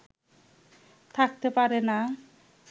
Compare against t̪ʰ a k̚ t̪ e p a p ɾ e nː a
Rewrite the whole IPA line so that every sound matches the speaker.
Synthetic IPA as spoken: t̪ʰ a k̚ t̪ e p a ɾ e n a

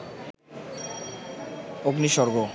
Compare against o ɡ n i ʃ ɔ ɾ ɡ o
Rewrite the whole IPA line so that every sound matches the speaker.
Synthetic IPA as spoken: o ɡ n i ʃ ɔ ɾ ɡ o

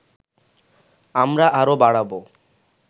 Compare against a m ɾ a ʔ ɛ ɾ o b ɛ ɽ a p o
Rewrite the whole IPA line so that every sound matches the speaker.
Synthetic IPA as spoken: a m ɾ a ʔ a ɾ o b a ɽ a b o

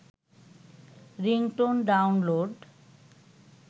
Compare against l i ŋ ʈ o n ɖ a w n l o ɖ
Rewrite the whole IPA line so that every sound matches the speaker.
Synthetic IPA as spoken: ɾ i ŋ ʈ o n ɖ a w n l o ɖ

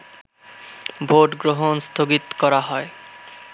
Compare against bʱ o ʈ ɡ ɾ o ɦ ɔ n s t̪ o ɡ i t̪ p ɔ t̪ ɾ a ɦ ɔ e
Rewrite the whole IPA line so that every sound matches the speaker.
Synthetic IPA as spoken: bʱ o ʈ ɡ ɾ o ɦ o n s t̪ʰ o ɡ i t̪ k ɔ ɾ a ɦ ɔ e

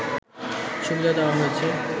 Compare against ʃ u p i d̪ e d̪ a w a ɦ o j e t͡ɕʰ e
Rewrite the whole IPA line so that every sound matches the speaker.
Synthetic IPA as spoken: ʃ u b i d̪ a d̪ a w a ɦ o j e t͡ɕʰ e

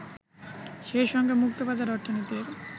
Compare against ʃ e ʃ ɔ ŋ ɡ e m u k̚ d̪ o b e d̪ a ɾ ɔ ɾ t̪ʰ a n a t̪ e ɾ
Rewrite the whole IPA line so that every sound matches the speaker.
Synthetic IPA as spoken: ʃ e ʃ ɔ ŋ ɡ e m u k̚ t̪ o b a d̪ a ɾ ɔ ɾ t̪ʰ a n i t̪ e ɾ

